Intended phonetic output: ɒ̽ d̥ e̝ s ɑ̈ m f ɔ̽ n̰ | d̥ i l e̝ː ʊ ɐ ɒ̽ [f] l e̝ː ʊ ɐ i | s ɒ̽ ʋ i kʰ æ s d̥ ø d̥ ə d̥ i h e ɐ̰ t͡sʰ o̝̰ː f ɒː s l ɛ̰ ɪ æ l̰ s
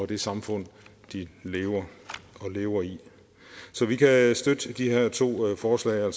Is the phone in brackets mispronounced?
yes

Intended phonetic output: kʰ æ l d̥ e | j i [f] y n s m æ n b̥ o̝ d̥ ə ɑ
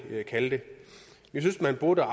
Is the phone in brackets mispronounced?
yes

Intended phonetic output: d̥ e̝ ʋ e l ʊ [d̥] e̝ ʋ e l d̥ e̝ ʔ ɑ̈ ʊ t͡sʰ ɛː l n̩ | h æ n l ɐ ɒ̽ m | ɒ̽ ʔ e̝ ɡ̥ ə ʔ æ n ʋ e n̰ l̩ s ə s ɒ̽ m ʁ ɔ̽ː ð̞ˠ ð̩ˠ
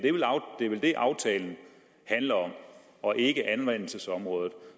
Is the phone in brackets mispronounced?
no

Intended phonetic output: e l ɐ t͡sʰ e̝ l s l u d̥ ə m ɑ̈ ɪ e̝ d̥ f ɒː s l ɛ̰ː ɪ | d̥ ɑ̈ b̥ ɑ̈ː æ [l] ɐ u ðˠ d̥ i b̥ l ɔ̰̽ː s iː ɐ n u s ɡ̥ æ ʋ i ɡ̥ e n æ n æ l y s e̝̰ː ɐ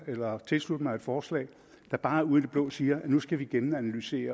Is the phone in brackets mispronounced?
yes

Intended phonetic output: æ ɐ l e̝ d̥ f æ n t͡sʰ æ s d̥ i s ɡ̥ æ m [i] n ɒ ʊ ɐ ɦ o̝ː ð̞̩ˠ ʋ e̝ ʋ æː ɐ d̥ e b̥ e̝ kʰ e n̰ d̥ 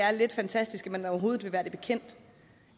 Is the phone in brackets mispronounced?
yes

